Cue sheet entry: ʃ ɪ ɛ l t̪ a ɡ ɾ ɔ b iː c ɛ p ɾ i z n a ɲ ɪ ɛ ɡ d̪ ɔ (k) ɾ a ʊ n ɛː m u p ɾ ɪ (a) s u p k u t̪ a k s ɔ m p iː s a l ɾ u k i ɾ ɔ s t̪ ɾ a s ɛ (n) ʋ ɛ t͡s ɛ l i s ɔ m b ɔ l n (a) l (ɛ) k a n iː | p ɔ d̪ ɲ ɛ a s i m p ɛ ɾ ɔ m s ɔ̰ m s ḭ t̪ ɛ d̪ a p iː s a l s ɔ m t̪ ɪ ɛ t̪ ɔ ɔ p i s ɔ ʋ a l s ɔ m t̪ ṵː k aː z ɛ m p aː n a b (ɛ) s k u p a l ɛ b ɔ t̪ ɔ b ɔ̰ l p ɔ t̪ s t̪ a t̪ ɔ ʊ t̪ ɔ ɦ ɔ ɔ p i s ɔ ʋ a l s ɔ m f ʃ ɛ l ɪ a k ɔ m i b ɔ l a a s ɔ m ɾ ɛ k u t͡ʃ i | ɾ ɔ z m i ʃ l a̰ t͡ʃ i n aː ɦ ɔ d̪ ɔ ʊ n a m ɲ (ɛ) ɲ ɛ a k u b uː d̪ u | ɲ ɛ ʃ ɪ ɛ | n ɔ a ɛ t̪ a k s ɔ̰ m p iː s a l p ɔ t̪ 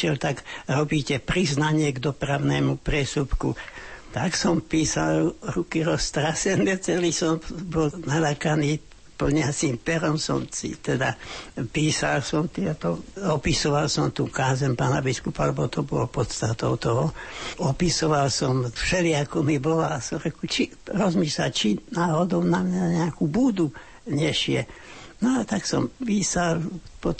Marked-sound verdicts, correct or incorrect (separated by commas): incorrect, incorrect, correct, correct, incorrect, incorrect, incorrect